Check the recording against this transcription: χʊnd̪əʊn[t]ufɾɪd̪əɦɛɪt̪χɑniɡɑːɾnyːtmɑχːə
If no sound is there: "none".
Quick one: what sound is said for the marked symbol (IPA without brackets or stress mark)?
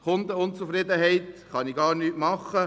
t͡s